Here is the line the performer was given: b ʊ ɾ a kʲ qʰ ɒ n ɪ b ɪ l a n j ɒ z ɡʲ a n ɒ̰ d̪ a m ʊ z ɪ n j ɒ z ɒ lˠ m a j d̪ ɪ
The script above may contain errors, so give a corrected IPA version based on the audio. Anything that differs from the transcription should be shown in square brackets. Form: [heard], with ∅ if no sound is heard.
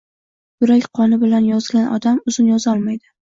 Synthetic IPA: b ʊ ɾ a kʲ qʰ ɒ n ɪ b ɪ l a n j ɒ z ɡʲ a n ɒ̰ d̪ a m ʊ z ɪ n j ɒ z ɒ lˠ m a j d̪ ɪ